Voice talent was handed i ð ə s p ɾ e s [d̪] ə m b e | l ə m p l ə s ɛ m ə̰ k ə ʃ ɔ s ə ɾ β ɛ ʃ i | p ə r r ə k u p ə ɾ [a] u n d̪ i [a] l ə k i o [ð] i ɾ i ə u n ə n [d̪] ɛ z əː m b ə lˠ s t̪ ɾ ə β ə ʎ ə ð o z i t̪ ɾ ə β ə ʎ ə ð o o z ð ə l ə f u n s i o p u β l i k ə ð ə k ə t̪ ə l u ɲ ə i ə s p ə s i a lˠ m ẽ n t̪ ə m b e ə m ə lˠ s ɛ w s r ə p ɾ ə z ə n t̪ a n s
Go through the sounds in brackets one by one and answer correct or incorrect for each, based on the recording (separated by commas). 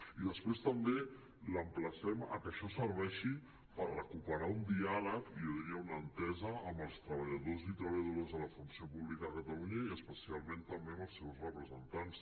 incorrect, correct, correct, correct, incorrect